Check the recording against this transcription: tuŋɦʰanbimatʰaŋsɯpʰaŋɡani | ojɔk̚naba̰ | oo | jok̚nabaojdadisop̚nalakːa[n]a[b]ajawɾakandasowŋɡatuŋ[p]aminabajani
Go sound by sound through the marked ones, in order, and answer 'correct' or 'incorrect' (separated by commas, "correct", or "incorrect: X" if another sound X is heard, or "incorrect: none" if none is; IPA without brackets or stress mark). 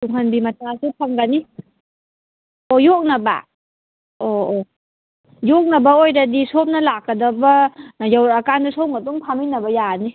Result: incorrect: d, correct, incorrect: pʰ